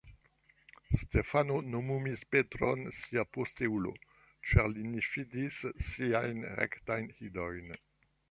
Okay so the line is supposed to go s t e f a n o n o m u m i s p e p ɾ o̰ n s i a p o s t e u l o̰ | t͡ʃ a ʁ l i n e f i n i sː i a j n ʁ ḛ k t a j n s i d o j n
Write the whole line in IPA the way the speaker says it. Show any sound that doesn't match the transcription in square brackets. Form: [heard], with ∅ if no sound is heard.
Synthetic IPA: s t e f a n o n o m u m i s p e [t] ɾ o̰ n s i a p o s t e u l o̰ | t͡ʃ a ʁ l i n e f i [d] i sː i a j n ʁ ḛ k t a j n [h] i d o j n